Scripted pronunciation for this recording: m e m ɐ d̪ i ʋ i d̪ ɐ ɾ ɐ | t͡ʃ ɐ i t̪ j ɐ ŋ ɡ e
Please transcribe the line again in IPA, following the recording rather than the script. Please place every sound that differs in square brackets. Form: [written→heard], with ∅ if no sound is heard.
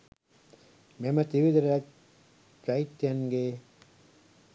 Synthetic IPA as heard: m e m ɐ [d̪→t̪] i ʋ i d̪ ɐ ɾ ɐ | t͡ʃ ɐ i t̪ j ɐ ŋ ɡ e